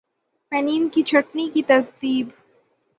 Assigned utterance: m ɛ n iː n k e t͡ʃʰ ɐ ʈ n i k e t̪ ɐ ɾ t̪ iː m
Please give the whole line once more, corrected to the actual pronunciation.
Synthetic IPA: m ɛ n iː n k i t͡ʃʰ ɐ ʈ n i k i t̪ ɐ ɾ t̪ iː b